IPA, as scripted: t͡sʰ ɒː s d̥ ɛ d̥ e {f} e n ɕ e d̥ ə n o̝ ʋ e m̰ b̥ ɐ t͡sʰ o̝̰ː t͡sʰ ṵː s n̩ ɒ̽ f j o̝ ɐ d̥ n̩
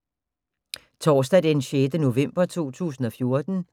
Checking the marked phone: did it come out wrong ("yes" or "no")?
yes